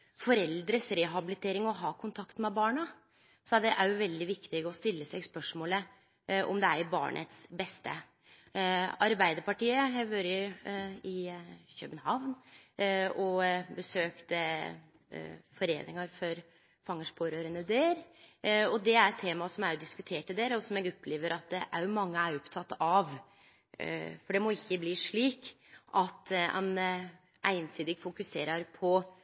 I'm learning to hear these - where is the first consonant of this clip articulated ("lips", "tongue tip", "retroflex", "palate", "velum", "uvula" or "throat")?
lips